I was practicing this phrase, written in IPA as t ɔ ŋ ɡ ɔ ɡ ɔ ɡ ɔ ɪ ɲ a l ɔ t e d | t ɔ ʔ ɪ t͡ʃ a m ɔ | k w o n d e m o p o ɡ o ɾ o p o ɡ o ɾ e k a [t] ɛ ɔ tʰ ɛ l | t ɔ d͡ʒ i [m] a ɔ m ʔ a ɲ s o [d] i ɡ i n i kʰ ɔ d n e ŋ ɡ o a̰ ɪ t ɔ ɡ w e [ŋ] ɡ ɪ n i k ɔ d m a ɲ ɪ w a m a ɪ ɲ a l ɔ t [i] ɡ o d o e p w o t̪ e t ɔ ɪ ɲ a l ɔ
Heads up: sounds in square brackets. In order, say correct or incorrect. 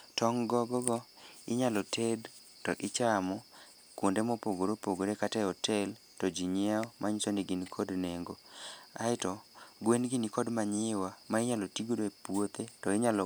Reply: correct, incorrect, incorrect, incorrect, correct

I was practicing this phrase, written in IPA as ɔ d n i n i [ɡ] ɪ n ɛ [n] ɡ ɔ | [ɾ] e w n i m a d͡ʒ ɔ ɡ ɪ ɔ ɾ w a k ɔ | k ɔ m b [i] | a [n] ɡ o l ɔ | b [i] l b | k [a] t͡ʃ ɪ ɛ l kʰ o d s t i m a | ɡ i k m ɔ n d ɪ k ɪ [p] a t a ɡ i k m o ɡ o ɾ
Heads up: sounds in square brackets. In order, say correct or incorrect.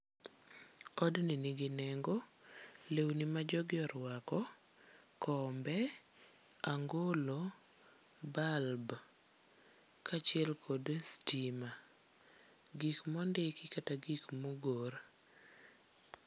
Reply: correct, incorrect, incorrect, incorrect, incorrect, incorrect, correct, incorrect

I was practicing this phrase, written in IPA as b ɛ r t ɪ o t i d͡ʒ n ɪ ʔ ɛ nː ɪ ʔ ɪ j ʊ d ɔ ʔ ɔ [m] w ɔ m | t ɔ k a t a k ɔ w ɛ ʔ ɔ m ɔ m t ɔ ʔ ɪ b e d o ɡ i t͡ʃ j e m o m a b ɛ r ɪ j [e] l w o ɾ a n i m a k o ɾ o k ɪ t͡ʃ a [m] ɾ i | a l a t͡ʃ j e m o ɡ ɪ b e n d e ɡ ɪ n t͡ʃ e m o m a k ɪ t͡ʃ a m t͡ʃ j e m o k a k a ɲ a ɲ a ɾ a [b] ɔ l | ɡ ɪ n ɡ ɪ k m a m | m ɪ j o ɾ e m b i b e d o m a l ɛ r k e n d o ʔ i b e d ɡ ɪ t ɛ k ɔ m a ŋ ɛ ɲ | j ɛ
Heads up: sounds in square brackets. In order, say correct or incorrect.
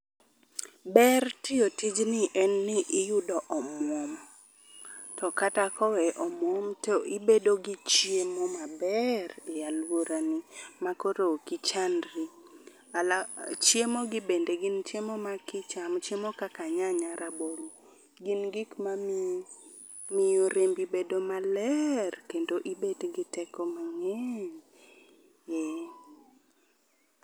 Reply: correct, incorrect, incorrect, correct

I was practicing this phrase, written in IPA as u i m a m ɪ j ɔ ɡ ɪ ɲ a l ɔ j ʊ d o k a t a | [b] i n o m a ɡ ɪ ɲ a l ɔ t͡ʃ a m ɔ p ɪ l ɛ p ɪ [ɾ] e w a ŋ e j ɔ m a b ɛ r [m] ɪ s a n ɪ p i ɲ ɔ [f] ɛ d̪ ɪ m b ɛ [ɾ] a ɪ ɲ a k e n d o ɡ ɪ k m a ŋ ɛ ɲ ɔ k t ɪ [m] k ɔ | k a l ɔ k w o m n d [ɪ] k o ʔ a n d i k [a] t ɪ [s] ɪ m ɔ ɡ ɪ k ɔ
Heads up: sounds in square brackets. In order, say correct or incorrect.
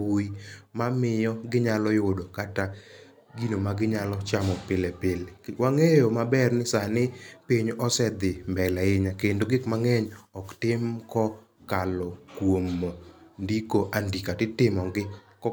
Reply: incorrect, incorrect, incorrect, incorrect, incorrect, correct, incorrect, correct, incorrect

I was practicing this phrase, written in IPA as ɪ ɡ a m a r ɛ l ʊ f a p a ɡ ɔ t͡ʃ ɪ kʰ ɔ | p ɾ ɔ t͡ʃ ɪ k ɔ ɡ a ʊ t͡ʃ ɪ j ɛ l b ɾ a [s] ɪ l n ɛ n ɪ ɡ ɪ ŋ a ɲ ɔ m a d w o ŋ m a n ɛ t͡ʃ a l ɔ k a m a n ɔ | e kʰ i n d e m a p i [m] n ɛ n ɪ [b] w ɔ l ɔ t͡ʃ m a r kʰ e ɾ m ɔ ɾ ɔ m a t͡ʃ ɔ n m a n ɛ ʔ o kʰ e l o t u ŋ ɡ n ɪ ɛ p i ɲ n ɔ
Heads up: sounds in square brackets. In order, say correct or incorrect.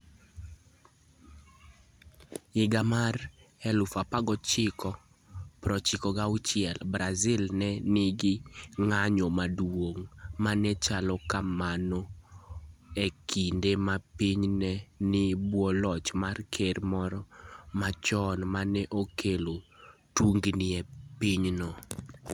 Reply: incorrect, incorrect, correct

